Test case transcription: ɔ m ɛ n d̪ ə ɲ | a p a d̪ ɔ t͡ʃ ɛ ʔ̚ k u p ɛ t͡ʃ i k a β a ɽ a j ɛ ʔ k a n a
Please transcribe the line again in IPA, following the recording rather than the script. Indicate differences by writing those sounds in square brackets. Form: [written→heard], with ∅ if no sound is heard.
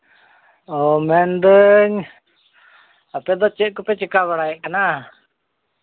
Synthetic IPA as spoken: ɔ m ɛ n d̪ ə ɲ | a p [a→ɛ] d̪ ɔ t͡ʃ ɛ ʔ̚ k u p ɛ t͡ʃ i k a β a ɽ a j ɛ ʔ k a n a